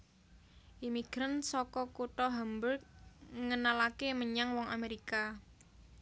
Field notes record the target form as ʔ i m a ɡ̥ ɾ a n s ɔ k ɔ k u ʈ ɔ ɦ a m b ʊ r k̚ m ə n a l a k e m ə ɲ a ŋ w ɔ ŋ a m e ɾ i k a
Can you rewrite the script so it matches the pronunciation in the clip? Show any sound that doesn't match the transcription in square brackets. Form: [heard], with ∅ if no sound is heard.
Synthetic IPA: ʔ i m [i] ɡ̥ ɾ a n s ɔ k ɔ k u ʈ ɔ ɦ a m b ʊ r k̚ [ŋ] ə n a l a k e m ə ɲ a ŋ w ɔ ŋ a m e ɾ i k a